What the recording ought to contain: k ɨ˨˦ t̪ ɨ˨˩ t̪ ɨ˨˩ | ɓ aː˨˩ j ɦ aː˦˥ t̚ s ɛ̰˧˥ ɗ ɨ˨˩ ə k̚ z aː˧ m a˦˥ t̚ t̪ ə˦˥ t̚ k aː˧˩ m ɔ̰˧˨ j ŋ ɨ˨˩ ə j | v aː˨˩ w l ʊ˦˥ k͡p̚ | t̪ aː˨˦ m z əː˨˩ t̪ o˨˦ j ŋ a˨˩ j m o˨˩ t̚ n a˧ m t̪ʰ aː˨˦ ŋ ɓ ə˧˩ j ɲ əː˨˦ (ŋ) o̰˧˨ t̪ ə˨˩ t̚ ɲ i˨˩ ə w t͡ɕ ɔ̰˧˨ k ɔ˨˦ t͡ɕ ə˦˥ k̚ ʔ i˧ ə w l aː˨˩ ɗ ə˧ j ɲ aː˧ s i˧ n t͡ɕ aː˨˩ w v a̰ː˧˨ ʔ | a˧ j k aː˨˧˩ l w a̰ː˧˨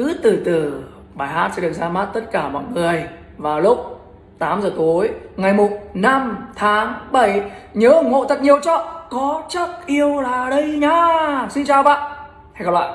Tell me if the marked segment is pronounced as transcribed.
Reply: yes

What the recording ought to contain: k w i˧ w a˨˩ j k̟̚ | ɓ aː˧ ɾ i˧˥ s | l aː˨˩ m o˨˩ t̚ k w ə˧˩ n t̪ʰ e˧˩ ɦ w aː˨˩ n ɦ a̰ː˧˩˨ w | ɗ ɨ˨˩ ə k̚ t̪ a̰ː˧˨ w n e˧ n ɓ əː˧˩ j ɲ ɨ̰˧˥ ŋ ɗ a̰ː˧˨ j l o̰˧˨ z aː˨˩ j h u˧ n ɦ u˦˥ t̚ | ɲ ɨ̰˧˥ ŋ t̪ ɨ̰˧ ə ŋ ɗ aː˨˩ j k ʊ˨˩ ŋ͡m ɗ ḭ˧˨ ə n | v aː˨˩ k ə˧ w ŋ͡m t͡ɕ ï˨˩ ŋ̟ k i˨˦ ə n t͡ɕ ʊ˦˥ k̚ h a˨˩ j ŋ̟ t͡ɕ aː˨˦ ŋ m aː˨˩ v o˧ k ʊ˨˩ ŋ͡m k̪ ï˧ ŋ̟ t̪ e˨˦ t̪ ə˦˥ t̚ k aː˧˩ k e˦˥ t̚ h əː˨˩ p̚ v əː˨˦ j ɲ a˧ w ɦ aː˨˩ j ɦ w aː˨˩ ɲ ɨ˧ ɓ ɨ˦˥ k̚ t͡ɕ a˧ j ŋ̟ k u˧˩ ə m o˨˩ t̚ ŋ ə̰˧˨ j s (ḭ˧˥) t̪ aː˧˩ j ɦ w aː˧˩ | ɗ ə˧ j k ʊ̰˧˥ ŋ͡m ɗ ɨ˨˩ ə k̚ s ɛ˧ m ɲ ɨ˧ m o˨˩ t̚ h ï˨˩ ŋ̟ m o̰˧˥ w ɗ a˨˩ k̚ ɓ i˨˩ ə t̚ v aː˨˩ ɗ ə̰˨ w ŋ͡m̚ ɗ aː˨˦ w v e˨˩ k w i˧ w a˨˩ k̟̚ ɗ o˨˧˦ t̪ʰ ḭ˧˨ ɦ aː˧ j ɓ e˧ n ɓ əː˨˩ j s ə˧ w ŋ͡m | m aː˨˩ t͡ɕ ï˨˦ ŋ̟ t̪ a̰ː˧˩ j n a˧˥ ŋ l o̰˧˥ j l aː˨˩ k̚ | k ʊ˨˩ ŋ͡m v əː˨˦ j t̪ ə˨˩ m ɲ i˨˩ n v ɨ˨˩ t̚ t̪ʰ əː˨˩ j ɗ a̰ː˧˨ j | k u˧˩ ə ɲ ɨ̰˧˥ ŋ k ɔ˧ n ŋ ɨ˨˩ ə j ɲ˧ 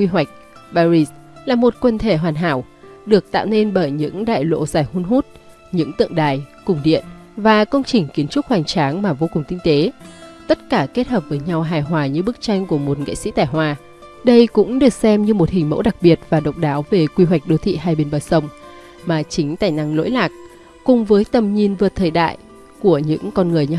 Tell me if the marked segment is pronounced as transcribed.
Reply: yes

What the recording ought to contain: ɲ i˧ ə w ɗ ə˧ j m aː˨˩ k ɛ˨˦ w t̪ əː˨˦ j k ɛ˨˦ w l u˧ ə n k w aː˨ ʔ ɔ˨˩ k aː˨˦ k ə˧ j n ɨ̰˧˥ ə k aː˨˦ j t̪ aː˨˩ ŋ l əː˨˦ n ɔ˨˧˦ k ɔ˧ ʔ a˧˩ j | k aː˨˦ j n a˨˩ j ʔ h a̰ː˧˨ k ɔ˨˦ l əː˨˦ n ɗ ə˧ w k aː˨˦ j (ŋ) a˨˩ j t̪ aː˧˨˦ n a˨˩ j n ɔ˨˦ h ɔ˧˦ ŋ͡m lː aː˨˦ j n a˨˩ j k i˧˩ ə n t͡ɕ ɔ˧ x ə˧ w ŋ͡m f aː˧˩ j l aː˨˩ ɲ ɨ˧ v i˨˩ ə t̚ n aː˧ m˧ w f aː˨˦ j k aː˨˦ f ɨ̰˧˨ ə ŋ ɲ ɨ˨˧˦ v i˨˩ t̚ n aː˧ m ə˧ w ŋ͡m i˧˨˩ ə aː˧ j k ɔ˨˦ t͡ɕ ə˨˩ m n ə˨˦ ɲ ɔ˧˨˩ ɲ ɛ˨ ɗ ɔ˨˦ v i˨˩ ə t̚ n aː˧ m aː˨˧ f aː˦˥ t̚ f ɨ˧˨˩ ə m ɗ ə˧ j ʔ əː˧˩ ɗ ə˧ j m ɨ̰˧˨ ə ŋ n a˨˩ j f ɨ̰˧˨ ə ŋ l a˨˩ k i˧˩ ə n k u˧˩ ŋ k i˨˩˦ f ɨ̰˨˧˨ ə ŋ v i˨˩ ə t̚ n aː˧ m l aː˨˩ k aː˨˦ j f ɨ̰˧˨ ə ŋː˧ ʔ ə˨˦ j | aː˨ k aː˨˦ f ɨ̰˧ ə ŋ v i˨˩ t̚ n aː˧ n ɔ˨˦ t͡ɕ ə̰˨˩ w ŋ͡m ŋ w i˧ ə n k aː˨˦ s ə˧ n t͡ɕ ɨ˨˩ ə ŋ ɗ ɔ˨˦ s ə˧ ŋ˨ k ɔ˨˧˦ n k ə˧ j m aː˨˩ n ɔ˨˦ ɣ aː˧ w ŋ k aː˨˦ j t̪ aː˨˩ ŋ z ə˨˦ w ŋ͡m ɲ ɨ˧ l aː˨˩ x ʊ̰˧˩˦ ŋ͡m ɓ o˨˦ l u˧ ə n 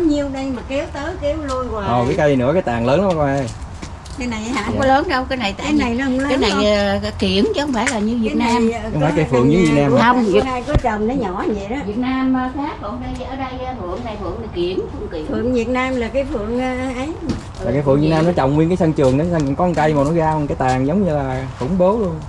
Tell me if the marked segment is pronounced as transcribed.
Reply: no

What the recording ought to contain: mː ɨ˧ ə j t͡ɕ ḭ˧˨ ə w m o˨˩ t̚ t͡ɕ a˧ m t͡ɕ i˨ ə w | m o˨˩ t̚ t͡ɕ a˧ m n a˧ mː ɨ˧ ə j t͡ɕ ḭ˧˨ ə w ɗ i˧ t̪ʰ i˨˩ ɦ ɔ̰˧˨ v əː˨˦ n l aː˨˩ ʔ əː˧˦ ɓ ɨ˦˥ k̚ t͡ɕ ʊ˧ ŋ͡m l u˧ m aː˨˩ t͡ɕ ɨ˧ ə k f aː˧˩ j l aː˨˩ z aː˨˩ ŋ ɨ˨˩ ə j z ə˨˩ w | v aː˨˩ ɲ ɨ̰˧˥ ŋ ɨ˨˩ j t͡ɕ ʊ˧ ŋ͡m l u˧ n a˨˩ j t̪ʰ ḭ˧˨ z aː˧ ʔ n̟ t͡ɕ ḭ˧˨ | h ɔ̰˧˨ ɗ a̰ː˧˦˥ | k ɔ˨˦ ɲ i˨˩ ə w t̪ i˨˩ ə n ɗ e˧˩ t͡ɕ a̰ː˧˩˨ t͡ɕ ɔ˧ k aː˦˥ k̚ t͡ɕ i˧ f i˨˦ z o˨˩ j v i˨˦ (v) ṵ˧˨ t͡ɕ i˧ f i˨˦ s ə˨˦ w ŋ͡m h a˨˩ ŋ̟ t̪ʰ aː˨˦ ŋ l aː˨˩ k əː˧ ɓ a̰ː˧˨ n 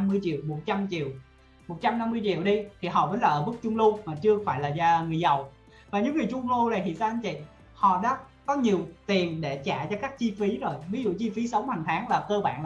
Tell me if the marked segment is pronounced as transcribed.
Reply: no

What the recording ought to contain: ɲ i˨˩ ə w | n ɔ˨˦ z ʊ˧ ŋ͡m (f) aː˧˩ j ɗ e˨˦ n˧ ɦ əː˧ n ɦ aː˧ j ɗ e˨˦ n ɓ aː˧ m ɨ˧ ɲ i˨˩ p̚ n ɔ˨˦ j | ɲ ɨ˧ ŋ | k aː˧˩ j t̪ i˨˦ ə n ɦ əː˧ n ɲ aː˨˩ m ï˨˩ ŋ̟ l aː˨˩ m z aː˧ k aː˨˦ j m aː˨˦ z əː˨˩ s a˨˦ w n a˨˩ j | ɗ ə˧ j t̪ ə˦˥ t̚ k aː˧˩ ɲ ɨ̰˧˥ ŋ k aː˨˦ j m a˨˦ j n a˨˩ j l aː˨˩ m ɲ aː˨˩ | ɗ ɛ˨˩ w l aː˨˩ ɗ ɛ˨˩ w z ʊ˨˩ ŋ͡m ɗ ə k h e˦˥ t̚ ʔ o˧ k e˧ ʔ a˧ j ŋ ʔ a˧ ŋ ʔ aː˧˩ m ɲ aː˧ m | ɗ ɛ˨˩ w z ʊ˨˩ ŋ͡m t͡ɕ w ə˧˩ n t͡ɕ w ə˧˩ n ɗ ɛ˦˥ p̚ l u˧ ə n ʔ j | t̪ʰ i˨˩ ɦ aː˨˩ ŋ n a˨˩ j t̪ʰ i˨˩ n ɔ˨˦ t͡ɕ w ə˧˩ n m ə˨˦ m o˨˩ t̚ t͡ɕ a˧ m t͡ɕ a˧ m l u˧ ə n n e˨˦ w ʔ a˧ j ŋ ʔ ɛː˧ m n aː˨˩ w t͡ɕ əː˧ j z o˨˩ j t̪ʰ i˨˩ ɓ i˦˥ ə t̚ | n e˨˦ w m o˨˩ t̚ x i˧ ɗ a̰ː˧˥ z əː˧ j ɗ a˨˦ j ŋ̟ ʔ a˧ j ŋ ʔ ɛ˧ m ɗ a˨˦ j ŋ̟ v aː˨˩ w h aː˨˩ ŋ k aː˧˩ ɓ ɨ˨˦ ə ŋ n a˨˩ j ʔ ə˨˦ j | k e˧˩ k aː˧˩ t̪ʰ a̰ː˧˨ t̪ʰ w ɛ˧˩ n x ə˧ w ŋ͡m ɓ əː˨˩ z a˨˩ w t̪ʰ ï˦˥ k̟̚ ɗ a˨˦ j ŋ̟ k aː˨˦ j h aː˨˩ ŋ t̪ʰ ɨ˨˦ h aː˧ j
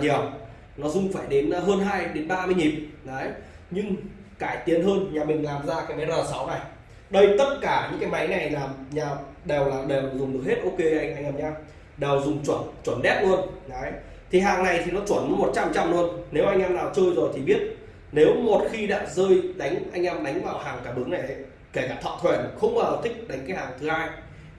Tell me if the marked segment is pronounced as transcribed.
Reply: yes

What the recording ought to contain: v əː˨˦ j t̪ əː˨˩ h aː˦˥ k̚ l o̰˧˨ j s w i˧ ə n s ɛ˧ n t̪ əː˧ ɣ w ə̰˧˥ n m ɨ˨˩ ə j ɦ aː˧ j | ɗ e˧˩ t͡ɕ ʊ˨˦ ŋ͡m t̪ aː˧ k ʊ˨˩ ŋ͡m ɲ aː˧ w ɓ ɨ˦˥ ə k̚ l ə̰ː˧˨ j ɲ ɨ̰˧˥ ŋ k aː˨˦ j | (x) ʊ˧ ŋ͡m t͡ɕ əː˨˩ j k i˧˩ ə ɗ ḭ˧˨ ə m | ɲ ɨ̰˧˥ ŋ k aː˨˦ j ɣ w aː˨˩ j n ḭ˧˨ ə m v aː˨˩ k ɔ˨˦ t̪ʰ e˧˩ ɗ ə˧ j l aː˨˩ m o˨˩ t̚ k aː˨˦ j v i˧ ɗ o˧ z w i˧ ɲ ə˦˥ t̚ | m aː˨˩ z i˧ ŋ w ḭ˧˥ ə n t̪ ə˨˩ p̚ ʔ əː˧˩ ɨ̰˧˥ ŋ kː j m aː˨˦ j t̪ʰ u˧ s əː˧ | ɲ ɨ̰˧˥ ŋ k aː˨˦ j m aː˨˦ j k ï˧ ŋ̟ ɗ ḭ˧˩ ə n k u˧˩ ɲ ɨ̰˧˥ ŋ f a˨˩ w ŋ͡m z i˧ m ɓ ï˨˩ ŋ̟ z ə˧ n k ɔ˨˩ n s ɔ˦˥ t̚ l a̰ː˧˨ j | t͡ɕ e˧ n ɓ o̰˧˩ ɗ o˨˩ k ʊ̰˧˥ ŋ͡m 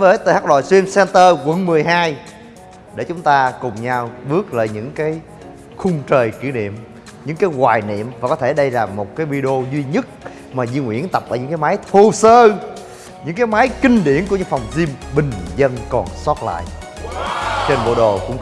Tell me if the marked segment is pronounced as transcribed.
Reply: yes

